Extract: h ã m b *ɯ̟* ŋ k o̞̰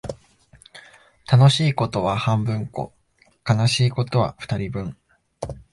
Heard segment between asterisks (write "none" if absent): ɯ̟̃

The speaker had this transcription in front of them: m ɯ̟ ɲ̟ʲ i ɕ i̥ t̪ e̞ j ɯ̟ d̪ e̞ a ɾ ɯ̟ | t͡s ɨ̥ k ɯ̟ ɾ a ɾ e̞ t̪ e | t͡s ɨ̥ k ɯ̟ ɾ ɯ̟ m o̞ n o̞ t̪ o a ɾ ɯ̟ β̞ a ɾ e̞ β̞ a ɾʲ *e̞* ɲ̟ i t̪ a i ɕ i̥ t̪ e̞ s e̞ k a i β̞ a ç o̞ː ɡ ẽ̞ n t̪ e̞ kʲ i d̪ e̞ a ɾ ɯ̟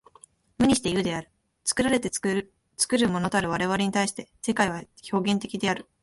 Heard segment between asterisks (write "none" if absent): e̞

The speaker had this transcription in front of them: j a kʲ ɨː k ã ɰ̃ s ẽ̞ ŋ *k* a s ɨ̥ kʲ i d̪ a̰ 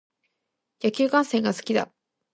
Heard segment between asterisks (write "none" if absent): ɡ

